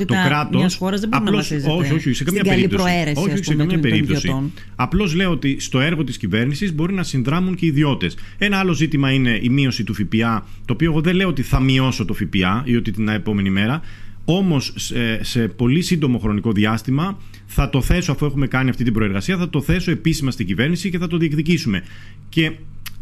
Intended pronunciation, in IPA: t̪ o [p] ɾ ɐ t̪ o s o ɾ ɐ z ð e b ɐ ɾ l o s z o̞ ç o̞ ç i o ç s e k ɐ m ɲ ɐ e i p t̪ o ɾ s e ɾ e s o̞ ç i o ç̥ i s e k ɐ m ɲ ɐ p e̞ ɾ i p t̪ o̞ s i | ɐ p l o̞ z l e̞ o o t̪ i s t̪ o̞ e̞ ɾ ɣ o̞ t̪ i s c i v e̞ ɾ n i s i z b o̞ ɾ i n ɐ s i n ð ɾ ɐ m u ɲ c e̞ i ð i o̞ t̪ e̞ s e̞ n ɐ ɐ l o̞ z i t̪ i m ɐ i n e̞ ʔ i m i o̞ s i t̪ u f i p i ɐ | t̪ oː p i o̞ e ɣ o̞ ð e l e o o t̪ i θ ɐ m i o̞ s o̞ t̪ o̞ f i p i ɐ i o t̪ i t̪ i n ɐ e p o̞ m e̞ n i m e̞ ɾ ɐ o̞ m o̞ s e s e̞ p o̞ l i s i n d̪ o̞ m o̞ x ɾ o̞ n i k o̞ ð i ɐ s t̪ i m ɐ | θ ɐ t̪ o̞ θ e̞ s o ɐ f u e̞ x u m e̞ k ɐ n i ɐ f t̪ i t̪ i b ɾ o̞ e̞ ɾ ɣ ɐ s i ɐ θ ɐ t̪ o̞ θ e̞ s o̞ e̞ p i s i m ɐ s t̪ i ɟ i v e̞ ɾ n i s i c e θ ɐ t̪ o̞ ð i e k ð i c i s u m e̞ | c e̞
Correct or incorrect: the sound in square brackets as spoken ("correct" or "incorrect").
incorrect